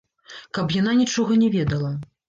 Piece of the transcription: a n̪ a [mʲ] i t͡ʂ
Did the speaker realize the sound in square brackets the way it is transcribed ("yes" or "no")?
no